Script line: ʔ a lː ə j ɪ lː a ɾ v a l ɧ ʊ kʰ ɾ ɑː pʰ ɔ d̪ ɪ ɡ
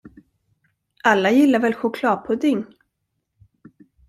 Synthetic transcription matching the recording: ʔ a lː a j ɪ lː a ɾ v ɛ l ɧ ʊ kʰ l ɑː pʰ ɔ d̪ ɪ ŋ